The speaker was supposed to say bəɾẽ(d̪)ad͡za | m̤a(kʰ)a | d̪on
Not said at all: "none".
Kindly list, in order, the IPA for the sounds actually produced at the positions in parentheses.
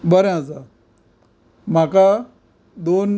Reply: none, k

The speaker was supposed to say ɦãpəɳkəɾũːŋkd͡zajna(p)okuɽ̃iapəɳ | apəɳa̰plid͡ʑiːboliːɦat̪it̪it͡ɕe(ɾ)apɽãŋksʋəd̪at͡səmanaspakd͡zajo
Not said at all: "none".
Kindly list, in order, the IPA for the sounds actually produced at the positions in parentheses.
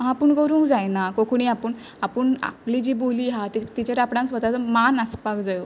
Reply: k, ɾ

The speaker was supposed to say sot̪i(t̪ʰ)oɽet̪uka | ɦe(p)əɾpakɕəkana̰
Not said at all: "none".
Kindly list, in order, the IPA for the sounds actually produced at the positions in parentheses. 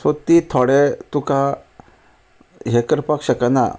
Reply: t̪ʰ, k

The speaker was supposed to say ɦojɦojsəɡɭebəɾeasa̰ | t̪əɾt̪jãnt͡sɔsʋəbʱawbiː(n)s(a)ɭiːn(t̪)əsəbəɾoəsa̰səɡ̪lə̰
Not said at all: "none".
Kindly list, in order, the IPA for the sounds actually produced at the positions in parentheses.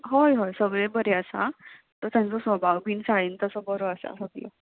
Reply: n, a, t̪

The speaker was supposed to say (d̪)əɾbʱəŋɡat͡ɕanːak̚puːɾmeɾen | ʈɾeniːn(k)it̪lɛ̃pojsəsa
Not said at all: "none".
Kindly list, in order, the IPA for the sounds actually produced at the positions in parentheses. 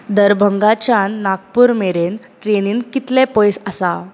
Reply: d̪, k

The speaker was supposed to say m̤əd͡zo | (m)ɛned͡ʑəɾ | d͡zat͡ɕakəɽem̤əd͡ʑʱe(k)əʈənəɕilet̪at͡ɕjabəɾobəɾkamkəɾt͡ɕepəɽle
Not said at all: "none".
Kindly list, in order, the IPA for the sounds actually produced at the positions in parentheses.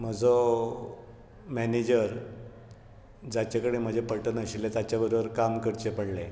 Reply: m, p

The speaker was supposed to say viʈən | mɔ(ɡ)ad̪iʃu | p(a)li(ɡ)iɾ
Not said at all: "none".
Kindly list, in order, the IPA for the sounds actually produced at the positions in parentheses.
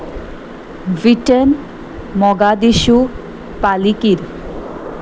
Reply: ɡ, a, k

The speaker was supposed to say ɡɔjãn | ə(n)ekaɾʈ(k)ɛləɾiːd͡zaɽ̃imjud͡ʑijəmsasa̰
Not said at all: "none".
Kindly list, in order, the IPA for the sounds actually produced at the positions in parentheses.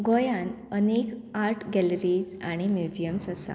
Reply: n, ɡ

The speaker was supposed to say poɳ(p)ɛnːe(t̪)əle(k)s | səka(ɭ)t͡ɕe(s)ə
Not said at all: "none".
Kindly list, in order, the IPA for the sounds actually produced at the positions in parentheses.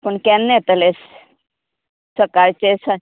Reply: k, t̪, none, ɾ, s

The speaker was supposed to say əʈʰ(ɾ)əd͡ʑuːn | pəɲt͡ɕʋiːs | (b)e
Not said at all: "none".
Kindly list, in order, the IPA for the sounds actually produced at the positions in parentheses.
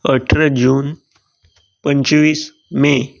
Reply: ɾ, m

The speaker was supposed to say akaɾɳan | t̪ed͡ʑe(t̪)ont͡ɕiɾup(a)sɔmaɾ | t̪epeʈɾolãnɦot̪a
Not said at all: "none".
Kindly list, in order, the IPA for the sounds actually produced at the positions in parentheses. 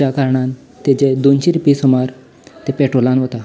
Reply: d̪, i

